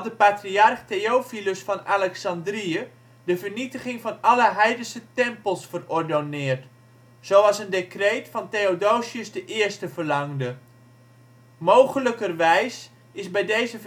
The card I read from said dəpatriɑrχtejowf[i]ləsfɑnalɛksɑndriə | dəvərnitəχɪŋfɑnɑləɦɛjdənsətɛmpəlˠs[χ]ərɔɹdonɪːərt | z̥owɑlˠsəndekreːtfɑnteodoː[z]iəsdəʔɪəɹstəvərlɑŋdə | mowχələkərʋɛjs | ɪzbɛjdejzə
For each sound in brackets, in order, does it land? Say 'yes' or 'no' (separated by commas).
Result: yes, no, no